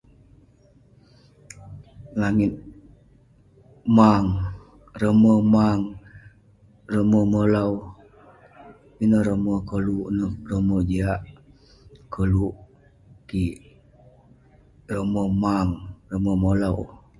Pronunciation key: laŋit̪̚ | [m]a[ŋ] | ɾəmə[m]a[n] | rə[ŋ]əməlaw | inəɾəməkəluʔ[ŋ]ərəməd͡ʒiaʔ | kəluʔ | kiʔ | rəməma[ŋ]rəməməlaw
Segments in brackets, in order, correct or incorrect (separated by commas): correct, correct, correct, incorrect, incorrect, incorrect, correct